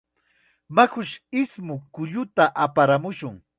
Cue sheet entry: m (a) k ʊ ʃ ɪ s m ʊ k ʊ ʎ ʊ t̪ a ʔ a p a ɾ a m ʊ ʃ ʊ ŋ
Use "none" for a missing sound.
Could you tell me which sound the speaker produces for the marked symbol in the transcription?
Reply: a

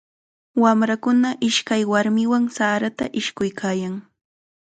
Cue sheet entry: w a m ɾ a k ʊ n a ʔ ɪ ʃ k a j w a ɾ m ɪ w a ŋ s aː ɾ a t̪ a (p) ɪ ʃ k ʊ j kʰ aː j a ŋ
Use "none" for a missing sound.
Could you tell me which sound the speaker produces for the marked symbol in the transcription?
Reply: ʔ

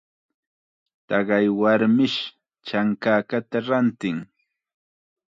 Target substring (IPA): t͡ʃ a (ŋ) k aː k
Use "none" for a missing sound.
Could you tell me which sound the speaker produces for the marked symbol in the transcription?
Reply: ŋ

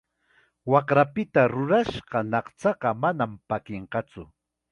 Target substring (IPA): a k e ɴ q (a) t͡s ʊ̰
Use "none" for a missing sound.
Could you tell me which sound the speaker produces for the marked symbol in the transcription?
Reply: ɑ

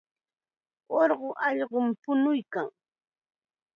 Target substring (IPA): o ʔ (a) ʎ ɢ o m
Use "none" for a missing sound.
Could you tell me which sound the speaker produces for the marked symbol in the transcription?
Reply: ɑ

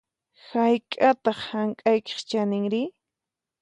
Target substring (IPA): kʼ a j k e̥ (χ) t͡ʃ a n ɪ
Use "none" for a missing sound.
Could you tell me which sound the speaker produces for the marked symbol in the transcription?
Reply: χ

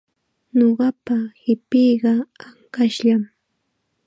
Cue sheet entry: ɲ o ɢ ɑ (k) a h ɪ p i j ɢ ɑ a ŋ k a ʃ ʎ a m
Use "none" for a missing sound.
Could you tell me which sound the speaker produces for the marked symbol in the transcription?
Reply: p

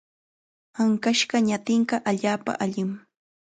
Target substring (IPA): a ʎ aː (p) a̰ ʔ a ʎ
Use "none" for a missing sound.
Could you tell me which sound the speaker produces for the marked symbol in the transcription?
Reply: p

